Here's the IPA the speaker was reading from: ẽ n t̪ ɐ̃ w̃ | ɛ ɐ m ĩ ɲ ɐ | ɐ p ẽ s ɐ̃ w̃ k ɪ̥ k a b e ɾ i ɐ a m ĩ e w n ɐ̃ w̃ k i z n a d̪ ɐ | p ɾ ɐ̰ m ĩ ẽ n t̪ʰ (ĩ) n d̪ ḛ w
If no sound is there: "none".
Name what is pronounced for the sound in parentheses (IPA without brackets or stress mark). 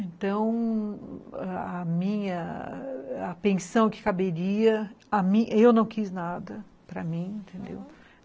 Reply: ẽ